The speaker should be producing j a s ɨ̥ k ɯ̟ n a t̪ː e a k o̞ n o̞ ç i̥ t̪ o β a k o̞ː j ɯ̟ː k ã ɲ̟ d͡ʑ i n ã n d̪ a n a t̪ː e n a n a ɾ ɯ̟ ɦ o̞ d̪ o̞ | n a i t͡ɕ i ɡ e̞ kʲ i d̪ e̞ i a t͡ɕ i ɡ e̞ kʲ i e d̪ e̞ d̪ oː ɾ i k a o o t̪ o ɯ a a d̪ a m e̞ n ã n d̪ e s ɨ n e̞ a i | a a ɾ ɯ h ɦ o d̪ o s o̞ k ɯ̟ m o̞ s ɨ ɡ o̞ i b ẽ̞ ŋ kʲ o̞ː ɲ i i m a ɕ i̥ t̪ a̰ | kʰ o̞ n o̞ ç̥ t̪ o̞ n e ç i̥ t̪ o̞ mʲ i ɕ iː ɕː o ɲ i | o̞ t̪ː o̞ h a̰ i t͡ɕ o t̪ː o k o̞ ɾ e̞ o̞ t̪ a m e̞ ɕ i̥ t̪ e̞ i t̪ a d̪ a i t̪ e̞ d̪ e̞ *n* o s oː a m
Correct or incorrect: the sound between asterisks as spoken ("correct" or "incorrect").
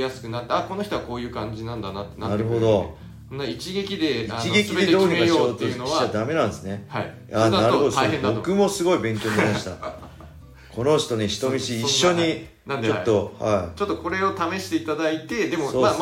incorrect